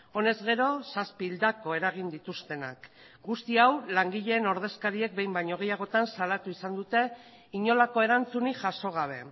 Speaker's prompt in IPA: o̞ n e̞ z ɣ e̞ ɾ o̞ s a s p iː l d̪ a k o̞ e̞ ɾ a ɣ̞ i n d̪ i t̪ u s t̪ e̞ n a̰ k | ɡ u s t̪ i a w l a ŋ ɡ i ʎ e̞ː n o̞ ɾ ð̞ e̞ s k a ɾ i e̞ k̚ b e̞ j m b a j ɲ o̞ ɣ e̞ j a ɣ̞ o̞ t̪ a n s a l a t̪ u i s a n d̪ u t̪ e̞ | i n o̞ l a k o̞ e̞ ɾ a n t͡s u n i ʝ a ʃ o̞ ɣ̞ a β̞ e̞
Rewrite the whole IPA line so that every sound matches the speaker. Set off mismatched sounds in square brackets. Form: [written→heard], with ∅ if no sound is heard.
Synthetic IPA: o̞ n e̞ z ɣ e̞ ɾ o̞ s a s p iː l d̪ a k o̞ e̞ ɾ a ɣ̞ i n d̪ i t̪ u s t̪ e̞ n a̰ k | ɡ u s t̪ i a w l a ŋ ɡ i ʎ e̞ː n o̞ ɾ ð̞ e̞ s k a ɾ i e̞ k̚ b e̞ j m b a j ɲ o̞ ɣ e̞ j a ɣ̞ o̞ t̪ a n s a l a t̪ u i s a n d̪ u t̪ e̞ | i [n→ɲ] o̞ l a k o̞ e̞ ɾ a n t͡s u n i ʝ a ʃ o̞ ɣ̞ a β̞ e̞